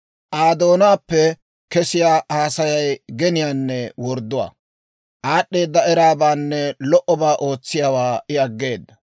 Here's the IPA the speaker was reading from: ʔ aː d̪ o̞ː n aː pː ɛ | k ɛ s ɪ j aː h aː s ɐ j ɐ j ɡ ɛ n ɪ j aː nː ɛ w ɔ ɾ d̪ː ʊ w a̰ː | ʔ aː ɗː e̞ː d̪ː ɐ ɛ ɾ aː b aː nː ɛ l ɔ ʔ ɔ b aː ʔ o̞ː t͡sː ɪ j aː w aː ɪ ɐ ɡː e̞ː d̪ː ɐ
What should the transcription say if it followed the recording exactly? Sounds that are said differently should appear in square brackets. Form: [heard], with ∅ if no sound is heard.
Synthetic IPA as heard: ʔ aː d̪ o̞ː n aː pː ɛ | k ɛ s ɪ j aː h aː s ɐ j ɐ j ɡ ɛ n ɪ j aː nː ɛ w ɔ ɾ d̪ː ʊ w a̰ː | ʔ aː ɗː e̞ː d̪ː ɐ ɛ ɾ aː b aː nː ɛ l ɔ ʔ ɔ b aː ʔ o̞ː t͡sː ɪ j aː w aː ɪ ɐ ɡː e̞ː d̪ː ɐ